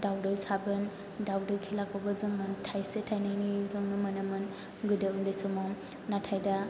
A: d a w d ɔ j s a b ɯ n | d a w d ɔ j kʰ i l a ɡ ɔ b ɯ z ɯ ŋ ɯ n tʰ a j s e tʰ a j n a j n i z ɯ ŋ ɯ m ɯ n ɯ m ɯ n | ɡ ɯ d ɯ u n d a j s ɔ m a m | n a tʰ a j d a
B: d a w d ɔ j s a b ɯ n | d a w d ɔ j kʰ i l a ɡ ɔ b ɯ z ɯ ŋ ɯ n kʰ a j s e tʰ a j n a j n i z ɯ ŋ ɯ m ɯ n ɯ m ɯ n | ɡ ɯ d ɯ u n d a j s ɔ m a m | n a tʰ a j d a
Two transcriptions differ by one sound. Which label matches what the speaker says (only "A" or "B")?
A